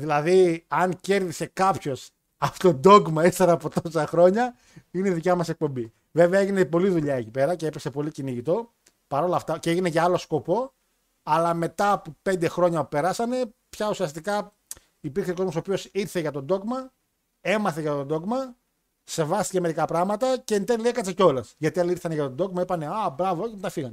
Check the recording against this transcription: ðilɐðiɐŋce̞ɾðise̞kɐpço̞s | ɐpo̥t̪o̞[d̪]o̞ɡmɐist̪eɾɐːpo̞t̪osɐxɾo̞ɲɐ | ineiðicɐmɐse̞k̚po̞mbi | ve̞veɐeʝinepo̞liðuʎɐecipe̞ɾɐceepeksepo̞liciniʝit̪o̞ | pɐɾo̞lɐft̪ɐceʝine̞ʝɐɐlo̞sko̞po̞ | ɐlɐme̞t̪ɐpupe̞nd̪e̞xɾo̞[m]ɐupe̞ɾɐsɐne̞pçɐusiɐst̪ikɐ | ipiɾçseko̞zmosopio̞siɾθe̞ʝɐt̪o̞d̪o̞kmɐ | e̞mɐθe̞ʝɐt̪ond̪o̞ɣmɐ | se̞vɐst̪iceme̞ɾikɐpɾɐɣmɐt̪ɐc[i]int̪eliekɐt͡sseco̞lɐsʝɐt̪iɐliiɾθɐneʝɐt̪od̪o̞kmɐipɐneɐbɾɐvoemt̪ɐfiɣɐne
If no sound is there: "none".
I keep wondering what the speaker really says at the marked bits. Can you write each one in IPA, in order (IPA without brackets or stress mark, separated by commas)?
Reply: d̪, ɲ, e